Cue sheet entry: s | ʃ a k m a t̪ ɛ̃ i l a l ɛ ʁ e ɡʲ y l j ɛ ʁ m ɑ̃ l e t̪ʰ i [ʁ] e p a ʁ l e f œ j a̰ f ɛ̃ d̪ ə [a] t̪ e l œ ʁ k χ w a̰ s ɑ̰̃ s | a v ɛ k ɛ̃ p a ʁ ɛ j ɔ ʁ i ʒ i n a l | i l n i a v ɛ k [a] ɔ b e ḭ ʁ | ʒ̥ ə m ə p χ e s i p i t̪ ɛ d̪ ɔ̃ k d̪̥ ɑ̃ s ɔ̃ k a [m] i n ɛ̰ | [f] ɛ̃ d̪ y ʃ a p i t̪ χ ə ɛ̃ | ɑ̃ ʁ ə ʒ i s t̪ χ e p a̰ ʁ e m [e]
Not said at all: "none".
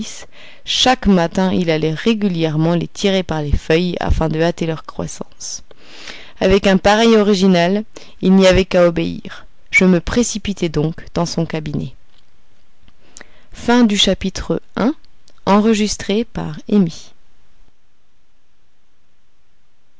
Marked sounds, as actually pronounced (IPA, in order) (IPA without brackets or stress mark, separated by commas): ʁ, a, a, b, f, i